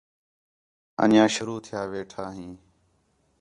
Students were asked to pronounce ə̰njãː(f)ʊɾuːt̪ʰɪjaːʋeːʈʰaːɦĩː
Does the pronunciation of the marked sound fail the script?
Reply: yes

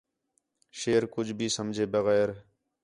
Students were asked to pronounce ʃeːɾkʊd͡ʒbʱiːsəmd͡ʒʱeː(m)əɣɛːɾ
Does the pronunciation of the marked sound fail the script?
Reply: yes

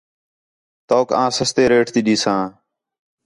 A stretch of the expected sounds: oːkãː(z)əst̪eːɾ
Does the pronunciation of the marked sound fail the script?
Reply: yes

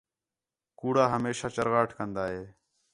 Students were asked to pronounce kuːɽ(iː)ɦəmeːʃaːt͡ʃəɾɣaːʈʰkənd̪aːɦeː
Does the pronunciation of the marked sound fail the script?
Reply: yes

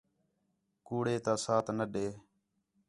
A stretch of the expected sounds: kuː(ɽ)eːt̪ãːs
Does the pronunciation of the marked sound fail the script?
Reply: no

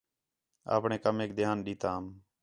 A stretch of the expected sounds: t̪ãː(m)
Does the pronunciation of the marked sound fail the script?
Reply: no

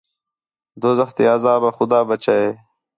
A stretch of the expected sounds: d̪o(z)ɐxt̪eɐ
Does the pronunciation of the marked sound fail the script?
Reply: no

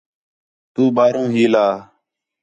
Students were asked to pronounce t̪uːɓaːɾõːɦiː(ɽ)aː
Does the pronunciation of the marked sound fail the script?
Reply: yes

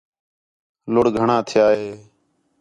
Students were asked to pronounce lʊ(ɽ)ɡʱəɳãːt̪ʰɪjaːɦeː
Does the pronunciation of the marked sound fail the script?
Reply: no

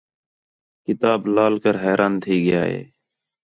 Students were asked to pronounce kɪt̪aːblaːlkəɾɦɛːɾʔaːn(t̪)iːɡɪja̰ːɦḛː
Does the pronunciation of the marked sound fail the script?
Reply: yes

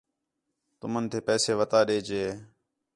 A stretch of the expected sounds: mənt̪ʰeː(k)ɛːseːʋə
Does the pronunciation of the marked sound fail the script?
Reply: yes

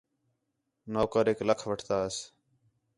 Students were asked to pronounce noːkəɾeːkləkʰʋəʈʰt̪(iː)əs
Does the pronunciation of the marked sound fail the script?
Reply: yes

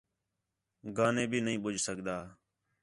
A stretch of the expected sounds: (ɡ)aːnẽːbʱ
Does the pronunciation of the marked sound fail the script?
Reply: no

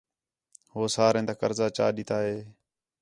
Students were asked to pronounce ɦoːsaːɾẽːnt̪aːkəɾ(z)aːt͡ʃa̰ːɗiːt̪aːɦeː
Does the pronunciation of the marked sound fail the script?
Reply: no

